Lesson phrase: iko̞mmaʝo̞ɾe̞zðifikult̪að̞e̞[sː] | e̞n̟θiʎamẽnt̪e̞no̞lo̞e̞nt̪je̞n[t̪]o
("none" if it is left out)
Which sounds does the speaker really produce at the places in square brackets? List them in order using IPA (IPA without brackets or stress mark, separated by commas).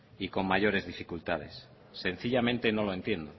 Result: sː, d̪